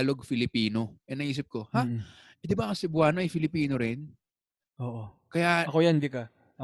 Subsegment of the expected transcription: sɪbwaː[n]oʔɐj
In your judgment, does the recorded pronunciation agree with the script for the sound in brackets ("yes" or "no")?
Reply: yes